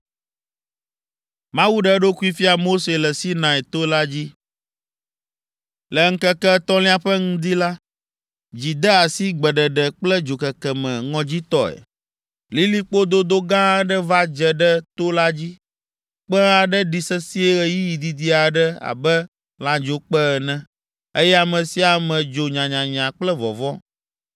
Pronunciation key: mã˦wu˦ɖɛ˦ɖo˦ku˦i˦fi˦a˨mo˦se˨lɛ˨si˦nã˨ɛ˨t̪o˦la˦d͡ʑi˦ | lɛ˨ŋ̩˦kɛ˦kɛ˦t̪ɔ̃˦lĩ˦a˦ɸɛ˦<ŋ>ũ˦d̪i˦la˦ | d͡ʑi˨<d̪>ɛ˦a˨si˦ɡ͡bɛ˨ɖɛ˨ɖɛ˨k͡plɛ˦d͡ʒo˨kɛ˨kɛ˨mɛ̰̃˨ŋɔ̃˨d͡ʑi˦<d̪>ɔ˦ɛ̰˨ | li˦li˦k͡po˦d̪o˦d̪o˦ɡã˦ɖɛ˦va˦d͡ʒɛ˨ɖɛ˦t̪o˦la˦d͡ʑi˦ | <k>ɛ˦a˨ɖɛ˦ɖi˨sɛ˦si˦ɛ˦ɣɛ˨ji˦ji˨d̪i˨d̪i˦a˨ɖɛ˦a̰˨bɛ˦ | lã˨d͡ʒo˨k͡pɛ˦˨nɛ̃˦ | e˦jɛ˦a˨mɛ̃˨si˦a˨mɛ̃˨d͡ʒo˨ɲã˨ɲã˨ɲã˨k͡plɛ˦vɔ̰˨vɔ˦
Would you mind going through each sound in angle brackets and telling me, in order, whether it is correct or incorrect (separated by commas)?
correct, correct, incorrect, incorrect